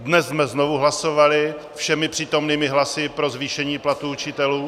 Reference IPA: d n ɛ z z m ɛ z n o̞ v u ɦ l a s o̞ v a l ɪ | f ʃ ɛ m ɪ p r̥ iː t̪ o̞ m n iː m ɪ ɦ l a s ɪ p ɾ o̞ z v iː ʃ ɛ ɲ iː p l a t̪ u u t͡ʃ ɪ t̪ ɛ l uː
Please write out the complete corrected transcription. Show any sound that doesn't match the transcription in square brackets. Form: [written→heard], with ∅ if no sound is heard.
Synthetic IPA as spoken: d n ɛ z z m ɛ z n o̞ v u ɦ l a s o̞ v a l ɪ | f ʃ ɛ m ɪ p r̥ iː t̪ o̞ m n iː m ɪ ɦ l a s ɪ p ɾ o̞ z v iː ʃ ɛ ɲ iː p l a t̪ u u t͡ʃ ɪ t̪ ɛ l uː